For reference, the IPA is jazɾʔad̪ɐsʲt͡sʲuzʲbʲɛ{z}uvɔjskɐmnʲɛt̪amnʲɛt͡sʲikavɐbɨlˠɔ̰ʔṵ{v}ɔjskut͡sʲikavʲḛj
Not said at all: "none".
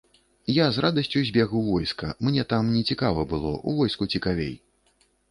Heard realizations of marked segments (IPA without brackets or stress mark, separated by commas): ɣ, v